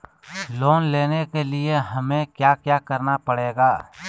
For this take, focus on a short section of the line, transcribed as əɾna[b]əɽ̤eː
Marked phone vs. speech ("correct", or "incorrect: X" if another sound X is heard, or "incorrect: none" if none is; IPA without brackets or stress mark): incorrect: p